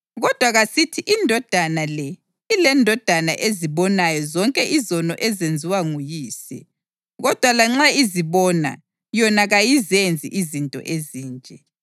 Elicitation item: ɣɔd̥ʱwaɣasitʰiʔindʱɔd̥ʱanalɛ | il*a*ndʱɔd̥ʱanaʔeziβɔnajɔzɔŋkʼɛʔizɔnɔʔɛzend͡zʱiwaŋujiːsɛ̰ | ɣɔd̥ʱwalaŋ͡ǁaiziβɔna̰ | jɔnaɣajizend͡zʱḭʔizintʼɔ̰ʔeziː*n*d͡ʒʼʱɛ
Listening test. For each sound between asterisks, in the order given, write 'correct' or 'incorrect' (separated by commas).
incorrect, correct